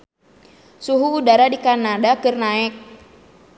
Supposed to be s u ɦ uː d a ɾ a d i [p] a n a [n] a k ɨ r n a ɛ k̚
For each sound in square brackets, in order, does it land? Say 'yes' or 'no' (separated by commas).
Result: no, no